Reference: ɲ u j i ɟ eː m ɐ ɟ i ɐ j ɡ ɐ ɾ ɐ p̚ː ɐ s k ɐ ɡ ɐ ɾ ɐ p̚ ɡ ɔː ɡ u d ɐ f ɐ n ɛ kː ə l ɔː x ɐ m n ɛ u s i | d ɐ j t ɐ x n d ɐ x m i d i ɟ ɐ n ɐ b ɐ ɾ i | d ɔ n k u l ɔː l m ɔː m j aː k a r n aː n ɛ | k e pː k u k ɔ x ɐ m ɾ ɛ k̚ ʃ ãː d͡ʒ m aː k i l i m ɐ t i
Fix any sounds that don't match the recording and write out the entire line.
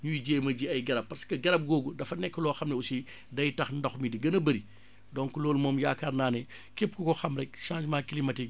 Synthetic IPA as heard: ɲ u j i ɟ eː m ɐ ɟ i ɐ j ɡ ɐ ɾ ɐ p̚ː ɐ s k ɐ ɡ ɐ ɾ ɐ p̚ ɡ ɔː ɡ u d ɐ f ɐ n ɛ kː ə l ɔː x ɐ m n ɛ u s i | d ɐ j t ɐ x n d ɐ x m i d i ɡ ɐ n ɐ b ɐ ɾ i | d ɔ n k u l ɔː l m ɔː m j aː k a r n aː n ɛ | k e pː k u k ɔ x ɐ m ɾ ɛ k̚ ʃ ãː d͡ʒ m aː k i l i m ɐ t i